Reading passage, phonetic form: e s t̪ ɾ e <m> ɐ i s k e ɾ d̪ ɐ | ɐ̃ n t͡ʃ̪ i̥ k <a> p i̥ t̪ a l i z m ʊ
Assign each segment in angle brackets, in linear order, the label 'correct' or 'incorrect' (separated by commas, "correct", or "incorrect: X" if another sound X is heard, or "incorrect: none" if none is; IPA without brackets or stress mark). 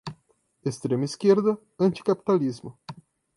correct, correct